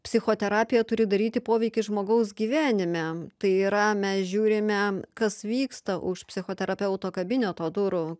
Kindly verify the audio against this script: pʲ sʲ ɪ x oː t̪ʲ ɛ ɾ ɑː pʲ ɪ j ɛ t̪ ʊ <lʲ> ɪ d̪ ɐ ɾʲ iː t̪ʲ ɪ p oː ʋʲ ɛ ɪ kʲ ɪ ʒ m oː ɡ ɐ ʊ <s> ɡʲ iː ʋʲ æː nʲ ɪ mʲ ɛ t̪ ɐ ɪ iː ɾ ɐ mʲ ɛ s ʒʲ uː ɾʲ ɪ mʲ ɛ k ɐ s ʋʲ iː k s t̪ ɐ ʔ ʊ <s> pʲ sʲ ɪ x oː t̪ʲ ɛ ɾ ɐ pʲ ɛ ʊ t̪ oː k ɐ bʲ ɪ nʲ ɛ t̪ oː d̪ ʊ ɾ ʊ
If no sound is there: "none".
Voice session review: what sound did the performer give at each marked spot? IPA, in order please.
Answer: ɾʲ, s, ʃ

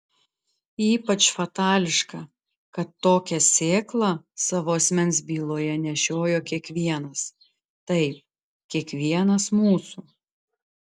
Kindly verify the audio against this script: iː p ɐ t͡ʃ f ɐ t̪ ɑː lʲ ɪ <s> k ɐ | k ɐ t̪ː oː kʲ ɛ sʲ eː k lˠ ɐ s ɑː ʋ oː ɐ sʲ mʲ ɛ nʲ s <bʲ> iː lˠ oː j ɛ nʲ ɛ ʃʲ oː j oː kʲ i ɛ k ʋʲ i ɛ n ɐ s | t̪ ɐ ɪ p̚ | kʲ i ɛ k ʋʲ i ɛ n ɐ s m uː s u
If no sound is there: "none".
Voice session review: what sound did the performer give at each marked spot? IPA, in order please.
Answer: ʃ, bʲ

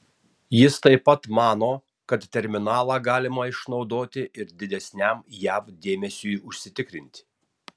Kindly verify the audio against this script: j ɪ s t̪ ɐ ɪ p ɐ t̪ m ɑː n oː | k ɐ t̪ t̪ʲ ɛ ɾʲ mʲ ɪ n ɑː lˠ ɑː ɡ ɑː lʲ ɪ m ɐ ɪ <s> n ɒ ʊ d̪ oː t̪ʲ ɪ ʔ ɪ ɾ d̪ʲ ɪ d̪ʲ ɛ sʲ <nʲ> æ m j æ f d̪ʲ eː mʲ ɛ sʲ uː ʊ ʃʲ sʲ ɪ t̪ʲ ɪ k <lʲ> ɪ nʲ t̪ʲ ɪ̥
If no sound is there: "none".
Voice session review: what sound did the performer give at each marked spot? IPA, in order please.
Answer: ʃ, nʲ, ɾʲ

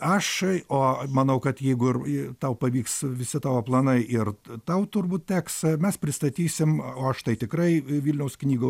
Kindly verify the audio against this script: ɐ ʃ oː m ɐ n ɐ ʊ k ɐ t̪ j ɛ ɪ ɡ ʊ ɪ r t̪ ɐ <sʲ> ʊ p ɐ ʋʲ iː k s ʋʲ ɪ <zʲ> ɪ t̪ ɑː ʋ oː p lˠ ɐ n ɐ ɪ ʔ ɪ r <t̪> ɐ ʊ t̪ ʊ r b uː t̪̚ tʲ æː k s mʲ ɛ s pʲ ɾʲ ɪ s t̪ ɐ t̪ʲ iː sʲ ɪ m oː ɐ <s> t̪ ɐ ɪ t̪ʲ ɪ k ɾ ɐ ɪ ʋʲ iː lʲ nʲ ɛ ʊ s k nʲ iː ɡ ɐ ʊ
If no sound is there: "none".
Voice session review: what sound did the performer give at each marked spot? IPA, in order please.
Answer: none, sʲ, t̪, ʃ

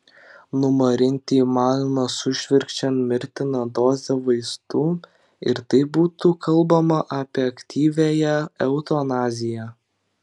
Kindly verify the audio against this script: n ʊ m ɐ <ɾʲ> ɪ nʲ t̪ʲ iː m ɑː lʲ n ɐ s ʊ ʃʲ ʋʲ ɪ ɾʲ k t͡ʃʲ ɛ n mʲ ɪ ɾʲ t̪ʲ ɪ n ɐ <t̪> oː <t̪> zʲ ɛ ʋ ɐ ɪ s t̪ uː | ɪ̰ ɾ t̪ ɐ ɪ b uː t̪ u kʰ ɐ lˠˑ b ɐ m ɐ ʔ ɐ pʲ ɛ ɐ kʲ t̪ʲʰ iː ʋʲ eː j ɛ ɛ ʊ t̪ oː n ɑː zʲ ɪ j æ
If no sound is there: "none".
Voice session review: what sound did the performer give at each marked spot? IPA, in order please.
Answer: ɾʲ, d̪, none

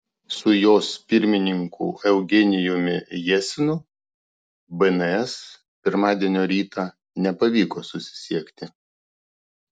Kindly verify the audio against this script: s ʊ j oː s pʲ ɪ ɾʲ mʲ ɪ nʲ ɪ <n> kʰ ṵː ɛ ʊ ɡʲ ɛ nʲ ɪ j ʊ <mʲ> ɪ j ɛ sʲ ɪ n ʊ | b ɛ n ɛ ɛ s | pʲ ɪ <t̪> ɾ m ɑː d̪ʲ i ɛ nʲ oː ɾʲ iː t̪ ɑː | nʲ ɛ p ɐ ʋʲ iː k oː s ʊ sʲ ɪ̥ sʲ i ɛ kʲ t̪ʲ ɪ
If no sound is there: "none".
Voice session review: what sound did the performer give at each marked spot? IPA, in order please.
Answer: ŋ, mʲ, none

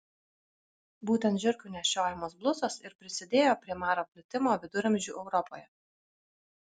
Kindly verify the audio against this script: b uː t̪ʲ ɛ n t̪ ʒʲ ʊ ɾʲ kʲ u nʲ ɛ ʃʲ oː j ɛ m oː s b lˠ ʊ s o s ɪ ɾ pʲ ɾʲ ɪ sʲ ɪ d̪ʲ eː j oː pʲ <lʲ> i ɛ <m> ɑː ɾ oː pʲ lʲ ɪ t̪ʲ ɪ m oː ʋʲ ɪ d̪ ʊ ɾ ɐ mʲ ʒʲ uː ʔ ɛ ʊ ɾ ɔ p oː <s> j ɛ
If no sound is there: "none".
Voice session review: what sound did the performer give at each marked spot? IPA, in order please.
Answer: ɾʲ, m, none

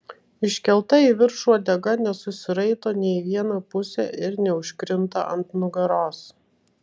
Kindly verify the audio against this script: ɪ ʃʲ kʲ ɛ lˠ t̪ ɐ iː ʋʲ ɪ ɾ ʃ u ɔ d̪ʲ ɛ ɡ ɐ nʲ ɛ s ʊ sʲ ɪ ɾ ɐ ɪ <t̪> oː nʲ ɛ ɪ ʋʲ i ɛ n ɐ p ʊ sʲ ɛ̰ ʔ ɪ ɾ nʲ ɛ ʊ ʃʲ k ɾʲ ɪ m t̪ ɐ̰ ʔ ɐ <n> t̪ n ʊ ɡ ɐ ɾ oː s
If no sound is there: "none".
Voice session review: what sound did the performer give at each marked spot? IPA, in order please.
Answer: t̪, n

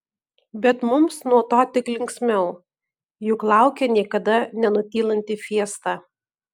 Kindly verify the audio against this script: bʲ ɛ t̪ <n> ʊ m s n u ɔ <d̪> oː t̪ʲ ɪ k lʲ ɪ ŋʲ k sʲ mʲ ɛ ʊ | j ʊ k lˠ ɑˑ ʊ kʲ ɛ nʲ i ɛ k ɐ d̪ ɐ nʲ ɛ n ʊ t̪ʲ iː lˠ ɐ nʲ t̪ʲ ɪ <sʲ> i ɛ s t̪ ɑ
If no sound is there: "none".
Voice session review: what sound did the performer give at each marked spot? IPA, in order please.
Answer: m, t̪, fʲ

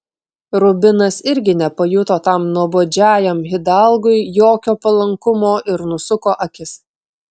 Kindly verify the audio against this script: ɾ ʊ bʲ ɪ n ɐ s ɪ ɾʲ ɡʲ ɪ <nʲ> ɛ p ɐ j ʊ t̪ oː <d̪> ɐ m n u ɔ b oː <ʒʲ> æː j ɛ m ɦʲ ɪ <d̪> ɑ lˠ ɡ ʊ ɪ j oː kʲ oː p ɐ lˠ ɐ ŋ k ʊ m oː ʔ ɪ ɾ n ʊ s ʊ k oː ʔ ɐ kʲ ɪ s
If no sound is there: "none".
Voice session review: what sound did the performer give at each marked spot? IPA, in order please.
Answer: nʲ, t̪, d͡ʒʲ, d̪

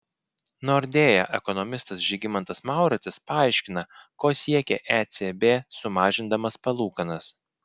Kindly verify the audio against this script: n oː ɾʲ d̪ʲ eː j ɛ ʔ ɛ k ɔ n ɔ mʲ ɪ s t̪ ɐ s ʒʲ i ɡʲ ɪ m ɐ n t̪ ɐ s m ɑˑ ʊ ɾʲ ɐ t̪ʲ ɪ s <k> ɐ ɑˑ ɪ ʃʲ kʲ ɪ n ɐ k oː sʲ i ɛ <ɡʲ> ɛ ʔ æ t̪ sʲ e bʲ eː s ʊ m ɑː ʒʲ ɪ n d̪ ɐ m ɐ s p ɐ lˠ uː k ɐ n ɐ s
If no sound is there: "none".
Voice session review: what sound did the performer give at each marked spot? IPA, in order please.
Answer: p, kʲ

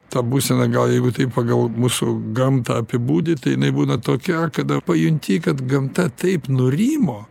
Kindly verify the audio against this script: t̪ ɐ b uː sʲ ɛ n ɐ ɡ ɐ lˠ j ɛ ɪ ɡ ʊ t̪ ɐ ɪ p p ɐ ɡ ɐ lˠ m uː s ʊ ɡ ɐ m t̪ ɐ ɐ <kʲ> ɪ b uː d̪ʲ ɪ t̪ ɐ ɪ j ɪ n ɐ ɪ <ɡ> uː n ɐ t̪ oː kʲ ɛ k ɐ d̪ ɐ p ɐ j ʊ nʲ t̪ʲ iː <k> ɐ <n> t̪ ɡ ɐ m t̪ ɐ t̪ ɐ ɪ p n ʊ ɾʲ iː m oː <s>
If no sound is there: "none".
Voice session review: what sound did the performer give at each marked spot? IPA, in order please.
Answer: pʲ, b, k, none, none

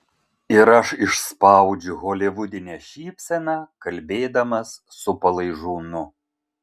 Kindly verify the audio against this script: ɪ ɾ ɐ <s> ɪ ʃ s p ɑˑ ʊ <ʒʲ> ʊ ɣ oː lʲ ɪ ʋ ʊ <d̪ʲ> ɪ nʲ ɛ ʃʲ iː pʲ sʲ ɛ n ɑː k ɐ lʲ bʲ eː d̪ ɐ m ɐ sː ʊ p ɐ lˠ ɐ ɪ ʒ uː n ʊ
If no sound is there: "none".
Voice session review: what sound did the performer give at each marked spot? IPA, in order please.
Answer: ʃ, d͡ʒʲ, d̪ʲ

